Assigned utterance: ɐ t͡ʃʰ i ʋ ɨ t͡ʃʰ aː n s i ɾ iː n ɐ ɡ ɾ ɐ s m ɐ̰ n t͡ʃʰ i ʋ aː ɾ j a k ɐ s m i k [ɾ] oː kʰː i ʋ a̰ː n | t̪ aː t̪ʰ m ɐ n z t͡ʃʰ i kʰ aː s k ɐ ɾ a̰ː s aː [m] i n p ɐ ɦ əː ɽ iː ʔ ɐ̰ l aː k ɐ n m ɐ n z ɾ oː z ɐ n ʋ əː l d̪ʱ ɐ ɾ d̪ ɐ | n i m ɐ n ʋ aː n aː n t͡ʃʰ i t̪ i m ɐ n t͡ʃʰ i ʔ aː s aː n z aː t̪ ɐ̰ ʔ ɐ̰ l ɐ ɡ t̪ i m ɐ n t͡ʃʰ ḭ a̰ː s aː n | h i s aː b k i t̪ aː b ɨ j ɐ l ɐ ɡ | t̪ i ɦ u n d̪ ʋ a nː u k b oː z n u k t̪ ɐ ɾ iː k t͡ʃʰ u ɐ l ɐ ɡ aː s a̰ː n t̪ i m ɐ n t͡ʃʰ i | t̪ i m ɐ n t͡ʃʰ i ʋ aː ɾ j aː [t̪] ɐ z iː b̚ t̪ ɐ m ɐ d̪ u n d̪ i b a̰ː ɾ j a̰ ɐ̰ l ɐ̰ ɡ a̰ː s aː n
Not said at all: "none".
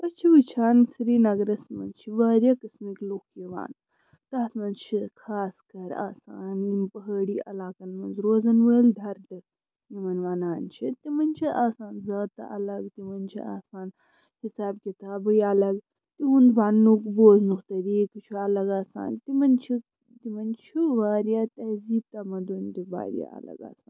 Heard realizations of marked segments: l, n, t̪

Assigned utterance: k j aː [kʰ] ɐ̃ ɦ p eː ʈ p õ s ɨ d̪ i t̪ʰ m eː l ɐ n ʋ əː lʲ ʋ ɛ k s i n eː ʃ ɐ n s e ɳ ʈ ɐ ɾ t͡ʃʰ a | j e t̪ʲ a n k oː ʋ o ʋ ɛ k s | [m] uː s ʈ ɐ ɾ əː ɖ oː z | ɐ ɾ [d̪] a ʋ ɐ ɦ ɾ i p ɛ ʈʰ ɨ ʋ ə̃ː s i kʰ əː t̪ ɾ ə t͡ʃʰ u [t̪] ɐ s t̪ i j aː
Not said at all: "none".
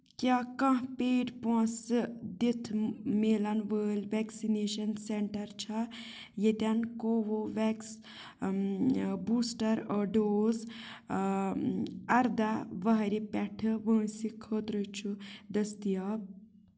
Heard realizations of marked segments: k, b, d̪, d̪

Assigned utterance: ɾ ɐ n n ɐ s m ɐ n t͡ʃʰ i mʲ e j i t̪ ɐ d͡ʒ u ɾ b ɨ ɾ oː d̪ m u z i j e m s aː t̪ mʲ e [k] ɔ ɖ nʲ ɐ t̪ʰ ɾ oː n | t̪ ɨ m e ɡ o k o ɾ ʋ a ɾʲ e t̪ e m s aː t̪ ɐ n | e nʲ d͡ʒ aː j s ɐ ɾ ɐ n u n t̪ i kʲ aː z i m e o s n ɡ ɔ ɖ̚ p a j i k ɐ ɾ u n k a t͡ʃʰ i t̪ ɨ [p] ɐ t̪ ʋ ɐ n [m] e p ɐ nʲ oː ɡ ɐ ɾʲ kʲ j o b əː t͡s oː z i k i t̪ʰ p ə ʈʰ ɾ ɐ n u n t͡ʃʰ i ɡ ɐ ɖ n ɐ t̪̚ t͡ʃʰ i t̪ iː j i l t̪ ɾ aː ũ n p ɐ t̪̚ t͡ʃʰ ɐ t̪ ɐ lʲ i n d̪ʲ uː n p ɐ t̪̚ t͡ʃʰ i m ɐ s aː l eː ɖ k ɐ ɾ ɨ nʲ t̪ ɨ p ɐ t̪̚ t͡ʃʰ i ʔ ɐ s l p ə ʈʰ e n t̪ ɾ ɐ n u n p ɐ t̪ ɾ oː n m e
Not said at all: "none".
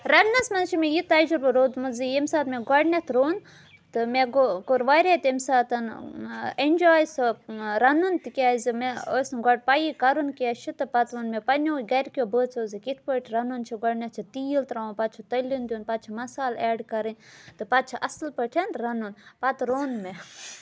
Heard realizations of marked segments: ɡ, p, m

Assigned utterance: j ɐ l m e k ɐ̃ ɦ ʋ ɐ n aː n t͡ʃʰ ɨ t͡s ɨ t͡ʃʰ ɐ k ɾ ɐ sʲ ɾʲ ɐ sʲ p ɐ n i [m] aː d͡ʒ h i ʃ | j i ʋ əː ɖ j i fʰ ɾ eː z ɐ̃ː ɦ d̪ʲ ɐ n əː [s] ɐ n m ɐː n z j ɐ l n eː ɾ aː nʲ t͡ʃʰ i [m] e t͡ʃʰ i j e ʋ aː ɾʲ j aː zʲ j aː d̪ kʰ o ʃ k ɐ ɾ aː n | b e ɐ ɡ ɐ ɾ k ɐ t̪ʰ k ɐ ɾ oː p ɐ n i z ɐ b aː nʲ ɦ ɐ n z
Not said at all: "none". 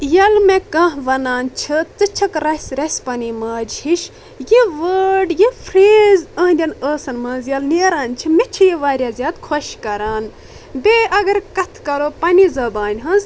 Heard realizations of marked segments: m, s, m

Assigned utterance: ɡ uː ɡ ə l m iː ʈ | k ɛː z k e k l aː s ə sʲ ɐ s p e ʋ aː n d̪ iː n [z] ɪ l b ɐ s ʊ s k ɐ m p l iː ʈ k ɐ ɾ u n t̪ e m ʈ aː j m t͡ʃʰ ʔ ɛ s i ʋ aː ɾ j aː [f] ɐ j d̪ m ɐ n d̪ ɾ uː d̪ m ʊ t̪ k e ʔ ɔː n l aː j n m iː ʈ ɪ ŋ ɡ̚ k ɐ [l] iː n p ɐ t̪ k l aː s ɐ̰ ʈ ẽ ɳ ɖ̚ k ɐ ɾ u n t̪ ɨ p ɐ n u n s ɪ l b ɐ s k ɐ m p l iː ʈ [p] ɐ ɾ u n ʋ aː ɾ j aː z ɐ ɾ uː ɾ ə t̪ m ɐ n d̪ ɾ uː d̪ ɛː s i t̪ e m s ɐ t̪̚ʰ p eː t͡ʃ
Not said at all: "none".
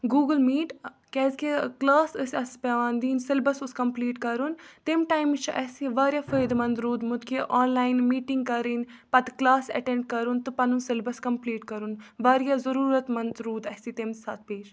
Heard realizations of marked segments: s, f, ɾ, k

